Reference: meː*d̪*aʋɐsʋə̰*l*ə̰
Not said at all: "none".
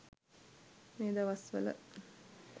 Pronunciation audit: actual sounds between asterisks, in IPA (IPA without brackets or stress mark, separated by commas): d̪, l